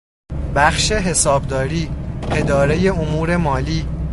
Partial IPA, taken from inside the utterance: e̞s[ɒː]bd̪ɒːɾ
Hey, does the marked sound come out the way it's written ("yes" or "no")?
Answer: yes